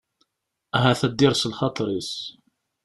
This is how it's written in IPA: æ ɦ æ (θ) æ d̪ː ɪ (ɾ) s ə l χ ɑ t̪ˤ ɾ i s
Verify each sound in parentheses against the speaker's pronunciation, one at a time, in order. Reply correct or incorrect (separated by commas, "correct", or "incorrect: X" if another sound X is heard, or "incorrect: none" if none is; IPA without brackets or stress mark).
correct, correct